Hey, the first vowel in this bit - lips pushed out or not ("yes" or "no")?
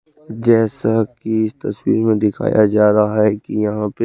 no